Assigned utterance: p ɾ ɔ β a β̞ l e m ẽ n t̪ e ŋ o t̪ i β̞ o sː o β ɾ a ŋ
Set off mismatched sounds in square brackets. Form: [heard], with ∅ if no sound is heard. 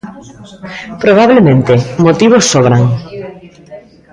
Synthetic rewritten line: p ɾ [o] β a β̞ l e m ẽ n t̪ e [m] o t̪ i β̞ o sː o β ɾ a ŋ